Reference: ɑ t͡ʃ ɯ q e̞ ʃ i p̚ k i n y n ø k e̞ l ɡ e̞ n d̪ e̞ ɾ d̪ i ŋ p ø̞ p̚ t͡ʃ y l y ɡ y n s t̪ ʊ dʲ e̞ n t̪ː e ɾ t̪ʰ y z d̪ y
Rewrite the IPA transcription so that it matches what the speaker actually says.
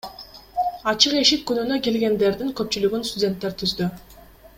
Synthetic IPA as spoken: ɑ t͡ʃ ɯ q e̞ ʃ i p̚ k y n y n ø k e̞ l ɡ e̞ n d̪ e̞ ɾ d̪ i ŋ k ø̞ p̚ t͡ʃ y l y ɡ y n s t̪ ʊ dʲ e̞ n t̪ː e ɾ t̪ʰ y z d̪ y